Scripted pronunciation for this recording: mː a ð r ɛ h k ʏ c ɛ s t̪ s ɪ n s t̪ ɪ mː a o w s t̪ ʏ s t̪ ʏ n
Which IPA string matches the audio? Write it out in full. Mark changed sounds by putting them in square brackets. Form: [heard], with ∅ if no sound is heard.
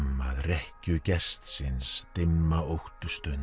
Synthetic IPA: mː a ð r ɛ h [c] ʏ c ɛ s t̪ s ɪ n s t̪ ɪ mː a o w [h] t̪ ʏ s t̪ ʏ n